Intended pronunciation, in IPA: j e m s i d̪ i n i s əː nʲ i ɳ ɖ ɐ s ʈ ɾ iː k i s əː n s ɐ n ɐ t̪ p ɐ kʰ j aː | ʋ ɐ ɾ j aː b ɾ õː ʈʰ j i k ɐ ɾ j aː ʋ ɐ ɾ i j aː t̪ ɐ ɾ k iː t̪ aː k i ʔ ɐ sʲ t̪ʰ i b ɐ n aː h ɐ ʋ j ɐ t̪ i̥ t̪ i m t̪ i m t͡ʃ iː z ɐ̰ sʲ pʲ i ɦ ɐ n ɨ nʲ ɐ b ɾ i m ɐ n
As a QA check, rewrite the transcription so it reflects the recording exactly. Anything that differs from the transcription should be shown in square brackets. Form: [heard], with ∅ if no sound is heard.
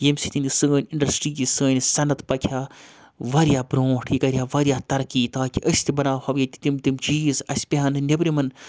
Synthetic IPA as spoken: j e m s i [t̪] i n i s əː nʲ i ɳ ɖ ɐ s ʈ ɾ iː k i s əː n s ɐ n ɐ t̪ p ɐ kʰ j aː | ʋ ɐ ɾ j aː b ɾ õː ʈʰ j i k ɐ ɾ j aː ʋ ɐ ɾ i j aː t̪ ɐ ɾ k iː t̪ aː k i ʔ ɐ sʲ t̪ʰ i b ɐ n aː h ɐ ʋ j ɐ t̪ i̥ t̪ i m t̪ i m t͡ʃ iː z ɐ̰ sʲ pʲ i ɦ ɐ n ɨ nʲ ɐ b ɾ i m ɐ n